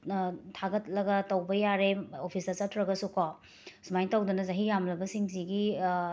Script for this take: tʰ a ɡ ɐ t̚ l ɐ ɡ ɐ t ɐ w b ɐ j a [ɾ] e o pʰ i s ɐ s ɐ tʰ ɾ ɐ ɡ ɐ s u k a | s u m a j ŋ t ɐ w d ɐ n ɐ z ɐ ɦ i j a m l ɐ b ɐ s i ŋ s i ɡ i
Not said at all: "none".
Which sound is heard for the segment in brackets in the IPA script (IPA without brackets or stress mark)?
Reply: ɾ